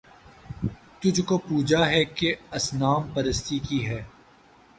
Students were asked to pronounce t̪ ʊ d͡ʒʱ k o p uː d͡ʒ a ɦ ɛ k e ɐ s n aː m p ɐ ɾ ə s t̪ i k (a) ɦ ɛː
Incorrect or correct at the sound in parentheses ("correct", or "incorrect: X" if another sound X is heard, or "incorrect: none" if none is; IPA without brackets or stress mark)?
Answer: incorrect: i